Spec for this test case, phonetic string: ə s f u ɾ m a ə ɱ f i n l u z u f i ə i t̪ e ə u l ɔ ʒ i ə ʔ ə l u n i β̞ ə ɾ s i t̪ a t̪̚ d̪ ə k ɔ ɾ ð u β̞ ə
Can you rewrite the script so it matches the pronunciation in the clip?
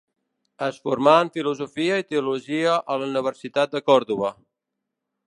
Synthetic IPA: ə s f u ɾ m a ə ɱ f i l u z u f i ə i t̪ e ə u l u ʒ i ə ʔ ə l u n i β̞ ə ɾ s i t̪ a t̪̚ d̪ ə k ɔ ɾ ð u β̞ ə